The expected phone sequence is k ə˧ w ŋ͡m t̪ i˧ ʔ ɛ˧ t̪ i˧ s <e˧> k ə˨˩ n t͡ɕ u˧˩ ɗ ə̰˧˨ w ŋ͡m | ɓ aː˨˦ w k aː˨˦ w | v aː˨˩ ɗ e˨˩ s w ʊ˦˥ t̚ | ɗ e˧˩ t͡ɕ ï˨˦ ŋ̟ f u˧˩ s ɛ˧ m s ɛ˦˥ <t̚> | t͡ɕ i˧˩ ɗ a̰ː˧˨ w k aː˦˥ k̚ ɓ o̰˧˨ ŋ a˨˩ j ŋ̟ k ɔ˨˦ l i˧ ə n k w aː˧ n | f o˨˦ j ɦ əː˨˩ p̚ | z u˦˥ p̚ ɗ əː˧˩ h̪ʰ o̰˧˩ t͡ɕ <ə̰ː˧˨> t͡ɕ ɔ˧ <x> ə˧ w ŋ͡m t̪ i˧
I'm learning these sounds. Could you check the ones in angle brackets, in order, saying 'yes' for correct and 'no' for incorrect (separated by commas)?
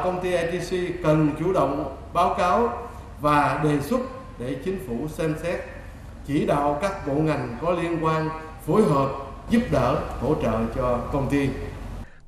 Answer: no, yes, yes, no